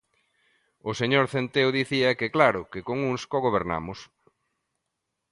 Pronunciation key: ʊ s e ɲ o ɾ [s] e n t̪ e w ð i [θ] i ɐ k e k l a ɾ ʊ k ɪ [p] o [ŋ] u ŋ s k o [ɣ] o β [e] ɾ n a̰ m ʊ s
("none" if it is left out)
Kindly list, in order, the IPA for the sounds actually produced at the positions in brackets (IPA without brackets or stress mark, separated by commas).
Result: θ, θ, k, ŋ, ɣ, e